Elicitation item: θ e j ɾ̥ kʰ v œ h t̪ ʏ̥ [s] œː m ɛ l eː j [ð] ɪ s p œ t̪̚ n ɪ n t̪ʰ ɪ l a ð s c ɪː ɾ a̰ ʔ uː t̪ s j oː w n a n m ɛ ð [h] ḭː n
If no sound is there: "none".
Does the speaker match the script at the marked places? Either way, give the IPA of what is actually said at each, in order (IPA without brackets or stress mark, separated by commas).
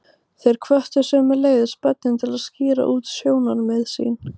s, ð, s